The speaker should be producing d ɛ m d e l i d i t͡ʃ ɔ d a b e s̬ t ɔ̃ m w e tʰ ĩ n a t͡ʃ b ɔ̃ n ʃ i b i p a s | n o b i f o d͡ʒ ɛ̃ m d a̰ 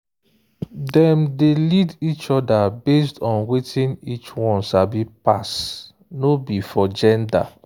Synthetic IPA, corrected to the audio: d ɛ m d e l i d i t͡ʃ ɔ d a b e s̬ t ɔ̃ n w e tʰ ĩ n i t͡ʃ w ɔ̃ n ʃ a b i p a s | n o b i f ɔ d͡ʒ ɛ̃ n d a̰